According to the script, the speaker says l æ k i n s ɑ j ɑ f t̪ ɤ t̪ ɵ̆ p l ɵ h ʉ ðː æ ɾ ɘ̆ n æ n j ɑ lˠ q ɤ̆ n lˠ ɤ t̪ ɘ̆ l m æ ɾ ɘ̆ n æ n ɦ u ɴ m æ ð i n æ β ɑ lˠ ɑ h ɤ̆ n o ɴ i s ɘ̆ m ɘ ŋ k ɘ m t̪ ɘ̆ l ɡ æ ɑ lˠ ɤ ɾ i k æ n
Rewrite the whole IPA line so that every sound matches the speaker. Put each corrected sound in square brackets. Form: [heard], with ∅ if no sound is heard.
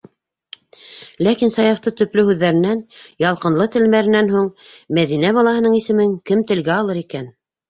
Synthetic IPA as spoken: l æ k i n s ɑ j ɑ f t̪ ɤ t̪ ɵ̆ p l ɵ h ʉ ðː æ ɾ ɘ̆ n æ n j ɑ lˠ q ɤ̆ n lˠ ɤ t̪ ɘ̆ l m æ ɾ ɘ̆ n æ n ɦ u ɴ m æ ð i n æ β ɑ lˠ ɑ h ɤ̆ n [ɤ] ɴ i s ɘ̆ m ɘ ŋ k ɘ m t̪ ɘ̆ l ɡ æ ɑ lˠ ɤ ɾ i k æ n

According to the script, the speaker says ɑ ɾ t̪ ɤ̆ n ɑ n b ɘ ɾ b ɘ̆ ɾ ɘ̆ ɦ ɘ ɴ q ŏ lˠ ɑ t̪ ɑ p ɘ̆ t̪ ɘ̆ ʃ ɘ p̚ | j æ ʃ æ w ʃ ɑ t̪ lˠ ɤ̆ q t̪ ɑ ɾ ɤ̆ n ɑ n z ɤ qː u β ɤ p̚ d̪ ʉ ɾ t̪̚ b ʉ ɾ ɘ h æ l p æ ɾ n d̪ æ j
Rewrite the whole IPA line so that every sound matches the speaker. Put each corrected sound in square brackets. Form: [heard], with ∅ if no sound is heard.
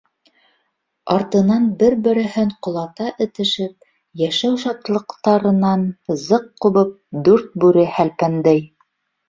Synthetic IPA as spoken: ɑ ɾ t̪ ɤ̆ n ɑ n b ɘ ɾ b ɘ̆ ɾ ɘ̆ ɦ ɘ ɴ q ŏ lˠ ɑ t̪ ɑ [ʔ] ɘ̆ t̪ ɘ̆ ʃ ɘ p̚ | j æ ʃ æ w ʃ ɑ t̪ lˠ ɤ̆ q t̪ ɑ ɾ ɤ̆ n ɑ n z ɤ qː u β ɤ p̚ d̪ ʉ ɾ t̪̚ b ʉ ɾ ɘ h æ l p æ [∅] n d̪ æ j

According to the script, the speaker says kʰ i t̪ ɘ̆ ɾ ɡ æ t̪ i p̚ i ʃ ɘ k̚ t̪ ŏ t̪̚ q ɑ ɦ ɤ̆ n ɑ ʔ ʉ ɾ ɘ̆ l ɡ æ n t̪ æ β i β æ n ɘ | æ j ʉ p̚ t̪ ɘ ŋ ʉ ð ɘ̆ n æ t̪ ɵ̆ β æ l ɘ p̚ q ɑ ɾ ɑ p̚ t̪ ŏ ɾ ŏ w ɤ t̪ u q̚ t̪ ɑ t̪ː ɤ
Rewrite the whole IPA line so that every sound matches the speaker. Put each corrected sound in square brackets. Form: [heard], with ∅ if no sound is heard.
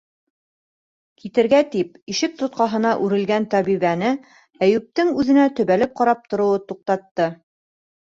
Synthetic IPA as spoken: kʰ i t̪ ɘ̆ ɾ ɡ æ t̪ i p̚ i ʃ ɘ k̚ t̪ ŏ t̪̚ q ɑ ɦ ɤ̆ n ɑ ʔ ʉ ɾ ɘ̆ l ɡ æ n t̪ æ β i β æ n ɘ | æ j ʉ p̚ t̪ ɘ ŋ ʉ ð ɘ̆ n æ t̪ ɵ̆ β æ l ɘ p̚ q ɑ ɾ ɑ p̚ t̪ ŏ ɾ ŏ w ɤ t̪ u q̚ t̪ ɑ t̪ː ɤ

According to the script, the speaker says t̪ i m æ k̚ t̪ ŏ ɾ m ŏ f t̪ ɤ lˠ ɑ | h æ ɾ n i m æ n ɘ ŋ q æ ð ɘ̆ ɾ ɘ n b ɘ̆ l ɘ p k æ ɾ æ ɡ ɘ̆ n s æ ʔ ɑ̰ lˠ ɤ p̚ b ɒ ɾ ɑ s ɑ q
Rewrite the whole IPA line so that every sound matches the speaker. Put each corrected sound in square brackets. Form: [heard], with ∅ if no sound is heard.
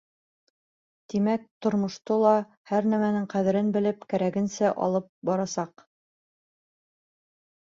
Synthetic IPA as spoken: t̪ i m æ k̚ t̪ ŏ ɾ m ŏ [ʃ] t̪ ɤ lˠ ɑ | h æ ɾ n [æ] m æ n ɘ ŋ q æ ð ɘ̆ ɾ ɘ n b ɘ̆ l ɘ p k æ ɾ æ ɡ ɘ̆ n s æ ʔ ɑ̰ lˠ ɤ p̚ b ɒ ɾ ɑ s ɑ q

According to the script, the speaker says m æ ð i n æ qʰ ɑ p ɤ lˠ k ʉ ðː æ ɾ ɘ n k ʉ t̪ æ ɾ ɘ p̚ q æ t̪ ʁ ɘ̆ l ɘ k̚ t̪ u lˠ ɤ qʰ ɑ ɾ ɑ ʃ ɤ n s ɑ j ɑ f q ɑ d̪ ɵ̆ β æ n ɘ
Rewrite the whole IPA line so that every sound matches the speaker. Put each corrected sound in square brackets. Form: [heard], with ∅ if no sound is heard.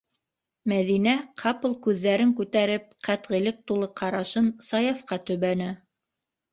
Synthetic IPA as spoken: m æ ð i n æ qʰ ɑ p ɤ lˠ k ʉ ðː æ ɾ ɘ [ŋ] k ʉ t̪ æ ɾ ɘ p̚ q æ t̪ ʁ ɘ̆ l ɘ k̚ t̪ u lˠ ɤ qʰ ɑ ɾ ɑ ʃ ɤ n s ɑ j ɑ f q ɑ [t̪] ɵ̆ β æ n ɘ

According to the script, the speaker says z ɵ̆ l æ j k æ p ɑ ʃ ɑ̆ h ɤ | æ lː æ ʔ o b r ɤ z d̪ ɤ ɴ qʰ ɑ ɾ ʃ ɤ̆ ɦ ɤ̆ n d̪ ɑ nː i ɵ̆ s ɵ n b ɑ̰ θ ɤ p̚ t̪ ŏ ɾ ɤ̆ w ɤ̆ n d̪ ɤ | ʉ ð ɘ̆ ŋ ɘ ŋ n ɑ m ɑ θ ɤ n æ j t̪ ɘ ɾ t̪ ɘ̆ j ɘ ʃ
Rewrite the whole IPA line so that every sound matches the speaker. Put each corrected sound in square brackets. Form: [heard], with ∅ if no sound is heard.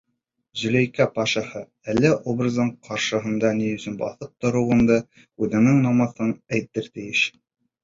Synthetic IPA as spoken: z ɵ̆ l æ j k æ p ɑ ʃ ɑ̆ h ɤ | æ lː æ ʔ o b r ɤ z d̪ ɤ ɴ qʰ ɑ ɾ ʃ ɤ̆ ɦ ɤ̆ n d̪ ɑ [n] i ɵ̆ s ɵ n b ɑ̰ θ ɤ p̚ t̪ ŏ ɾ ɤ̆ w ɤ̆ n d̪ ɤ | ʉ ð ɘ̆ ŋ ɘ ŋ n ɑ m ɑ θ ɤ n æ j t̪ ɘ ɾ t̪ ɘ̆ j ɘ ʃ

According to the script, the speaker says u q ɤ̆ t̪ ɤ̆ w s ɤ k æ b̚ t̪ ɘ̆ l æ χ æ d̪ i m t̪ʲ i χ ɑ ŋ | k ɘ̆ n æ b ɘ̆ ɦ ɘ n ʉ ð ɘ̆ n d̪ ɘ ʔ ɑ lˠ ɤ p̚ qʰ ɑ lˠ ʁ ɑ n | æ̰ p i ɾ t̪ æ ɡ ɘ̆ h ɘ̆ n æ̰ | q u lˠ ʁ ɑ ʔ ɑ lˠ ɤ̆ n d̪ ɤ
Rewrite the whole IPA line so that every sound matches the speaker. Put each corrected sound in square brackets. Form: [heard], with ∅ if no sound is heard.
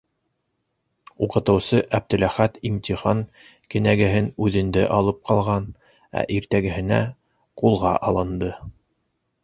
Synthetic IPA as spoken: u q ɤ̆ t̪ ɤ̆ w s ɤ [ʔ] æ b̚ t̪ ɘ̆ l æ χ æ [t̪] i m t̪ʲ i χ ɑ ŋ | k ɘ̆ n æ [ɡ] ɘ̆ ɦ ɘ n ʉ ð ɘ̆ n d̪ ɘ ʔ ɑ lˠ ɤ p̚ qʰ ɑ lˠ ʁ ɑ n | æ̰ [ʔ] i ɾ t̪ æ ɡ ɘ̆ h ɘ̆ n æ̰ | q u lˠ ʁ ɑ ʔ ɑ lˠ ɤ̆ n d̪ ɤ

